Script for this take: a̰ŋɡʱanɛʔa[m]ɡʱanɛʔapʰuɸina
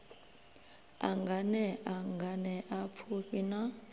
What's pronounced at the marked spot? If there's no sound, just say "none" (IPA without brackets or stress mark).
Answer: ŋ